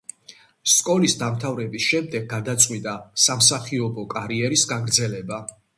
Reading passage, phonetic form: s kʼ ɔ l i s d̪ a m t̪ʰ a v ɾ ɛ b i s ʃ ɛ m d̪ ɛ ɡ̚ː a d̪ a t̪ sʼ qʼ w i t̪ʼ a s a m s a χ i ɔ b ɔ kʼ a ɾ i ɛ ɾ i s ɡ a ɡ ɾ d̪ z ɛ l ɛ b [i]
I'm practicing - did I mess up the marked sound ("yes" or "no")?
yes